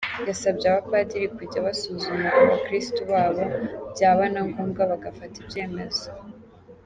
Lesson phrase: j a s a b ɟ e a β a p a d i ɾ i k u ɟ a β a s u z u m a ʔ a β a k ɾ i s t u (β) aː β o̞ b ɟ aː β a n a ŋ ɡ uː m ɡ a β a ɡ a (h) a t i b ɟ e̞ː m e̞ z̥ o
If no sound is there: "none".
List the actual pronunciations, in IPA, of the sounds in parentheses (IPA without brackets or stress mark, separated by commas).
β, f